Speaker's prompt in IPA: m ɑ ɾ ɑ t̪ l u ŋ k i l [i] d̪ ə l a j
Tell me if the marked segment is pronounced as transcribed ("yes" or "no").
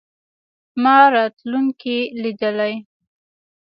yes